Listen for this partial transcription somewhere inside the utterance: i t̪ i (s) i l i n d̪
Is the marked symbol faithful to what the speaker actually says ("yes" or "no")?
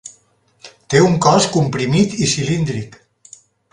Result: yes